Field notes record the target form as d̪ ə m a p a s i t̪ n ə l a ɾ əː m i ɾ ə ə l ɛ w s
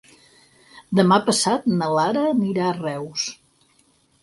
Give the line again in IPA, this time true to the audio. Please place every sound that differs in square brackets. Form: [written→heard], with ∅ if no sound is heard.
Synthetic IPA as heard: d̪ ə m a p [a→ə] s [i→a] t̪ n ə l a ɾ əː [m→n] i ɾ [ə→a] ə [l→r] ɛ w s